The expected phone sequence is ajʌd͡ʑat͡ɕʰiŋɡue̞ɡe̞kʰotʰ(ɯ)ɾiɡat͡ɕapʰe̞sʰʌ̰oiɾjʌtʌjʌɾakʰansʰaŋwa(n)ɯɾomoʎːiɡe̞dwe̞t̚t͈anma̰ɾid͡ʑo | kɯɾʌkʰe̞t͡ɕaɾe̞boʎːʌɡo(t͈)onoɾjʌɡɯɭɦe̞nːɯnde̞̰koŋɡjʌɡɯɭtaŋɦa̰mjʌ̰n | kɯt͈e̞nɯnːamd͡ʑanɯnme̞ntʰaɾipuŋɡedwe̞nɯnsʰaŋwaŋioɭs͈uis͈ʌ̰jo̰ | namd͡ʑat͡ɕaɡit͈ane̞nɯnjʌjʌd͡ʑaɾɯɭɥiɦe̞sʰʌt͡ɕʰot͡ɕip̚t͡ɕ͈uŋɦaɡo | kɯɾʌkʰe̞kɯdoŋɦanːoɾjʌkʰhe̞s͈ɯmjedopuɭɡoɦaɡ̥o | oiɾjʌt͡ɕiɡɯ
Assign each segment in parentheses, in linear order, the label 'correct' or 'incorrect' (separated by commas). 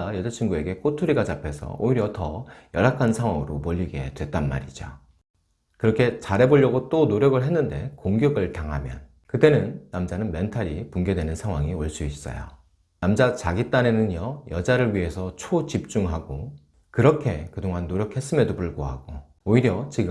incorrect, incorrect, correct